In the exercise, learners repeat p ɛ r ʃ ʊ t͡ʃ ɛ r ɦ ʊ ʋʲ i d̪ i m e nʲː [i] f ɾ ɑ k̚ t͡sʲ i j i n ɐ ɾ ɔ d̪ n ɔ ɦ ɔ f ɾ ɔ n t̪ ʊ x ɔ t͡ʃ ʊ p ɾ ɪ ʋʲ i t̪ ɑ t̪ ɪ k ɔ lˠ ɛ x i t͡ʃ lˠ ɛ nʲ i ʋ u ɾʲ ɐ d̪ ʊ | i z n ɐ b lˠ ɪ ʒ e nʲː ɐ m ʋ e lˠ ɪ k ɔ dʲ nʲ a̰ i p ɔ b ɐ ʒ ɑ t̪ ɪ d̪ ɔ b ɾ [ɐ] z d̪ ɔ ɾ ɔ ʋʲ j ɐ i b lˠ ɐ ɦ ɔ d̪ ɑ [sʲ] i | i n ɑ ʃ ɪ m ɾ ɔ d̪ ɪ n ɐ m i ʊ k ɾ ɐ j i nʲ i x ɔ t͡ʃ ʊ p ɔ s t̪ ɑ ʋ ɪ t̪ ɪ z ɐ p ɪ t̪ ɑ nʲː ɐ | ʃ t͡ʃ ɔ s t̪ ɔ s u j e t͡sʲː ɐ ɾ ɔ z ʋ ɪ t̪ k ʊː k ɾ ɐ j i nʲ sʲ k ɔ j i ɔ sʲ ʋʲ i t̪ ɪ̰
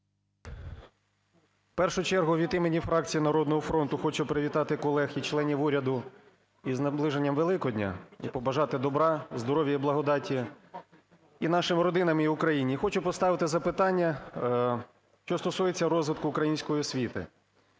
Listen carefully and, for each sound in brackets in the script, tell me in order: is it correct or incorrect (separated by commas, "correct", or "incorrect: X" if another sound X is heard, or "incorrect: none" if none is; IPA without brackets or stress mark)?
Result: correct, incorrect: ɑ, incorrect: tʲ